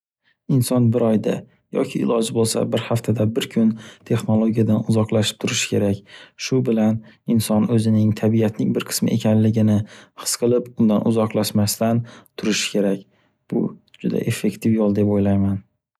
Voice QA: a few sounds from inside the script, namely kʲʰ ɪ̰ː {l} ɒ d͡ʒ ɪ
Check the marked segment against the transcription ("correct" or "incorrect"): correct